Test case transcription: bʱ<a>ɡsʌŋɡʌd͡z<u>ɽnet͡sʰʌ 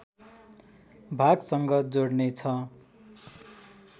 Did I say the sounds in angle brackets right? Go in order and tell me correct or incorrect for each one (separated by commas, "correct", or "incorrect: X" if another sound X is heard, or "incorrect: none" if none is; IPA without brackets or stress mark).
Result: correct, incorrect: o